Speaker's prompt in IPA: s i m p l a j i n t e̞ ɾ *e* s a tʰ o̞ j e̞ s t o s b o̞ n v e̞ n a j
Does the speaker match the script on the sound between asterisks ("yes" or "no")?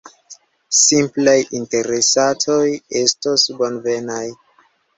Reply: yes